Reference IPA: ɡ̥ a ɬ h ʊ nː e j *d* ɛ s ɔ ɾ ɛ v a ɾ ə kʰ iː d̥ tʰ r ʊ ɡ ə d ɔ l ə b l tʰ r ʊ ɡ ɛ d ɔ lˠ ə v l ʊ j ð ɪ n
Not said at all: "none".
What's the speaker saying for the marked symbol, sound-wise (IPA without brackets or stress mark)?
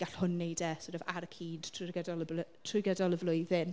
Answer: d